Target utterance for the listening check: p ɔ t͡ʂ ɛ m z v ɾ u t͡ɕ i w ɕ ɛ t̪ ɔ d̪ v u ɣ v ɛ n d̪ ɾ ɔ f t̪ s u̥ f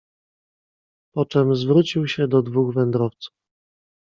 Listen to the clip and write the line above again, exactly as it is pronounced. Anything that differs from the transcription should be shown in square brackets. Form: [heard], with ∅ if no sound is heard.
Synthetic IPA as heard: p ɔ t͡ʂ ɛ m z v ɾ u t͡ɕ i w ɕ ɛ [d̪] ɔ d̪ v u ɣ v ɛ n d̪ ɾ ɔ f t̪ s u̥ f